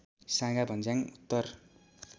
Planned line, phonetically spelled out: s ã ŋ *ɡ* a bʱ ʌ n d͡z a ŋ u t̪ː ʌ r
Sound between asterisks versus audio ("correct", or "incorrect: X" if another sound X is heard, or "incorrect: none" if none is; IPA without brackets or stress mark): correct